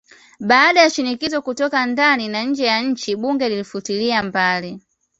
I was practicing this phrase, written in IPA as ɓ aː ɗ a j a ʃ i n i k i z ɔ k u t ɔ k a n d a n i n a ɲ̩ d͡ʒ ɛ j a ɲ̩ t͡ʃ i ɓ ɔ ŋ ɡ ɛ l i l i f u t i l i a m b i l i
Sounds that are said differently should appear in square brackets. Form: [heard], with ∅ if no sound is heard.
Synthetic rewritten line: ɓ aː ɗ a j a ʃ i n i k i z ɔ k u t ɔ k a n d a n i n a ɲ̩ d͡ʒ ɛ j a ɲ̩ t͡ʃ i ɓ [u] ŋ ɡ ɛ l i l i f u t i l i a m b [a] l i